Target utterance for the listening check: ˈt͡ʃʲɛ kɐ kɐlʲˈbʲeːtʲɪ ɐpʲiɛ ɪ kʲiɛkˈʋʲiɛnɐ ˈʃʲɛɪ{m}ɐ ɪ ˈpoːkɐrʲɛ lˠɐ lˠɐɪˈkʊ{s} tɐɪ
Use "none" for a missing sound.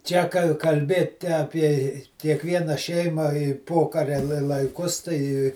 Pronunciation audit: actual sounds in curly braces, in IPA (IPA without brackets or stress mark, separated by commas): m, s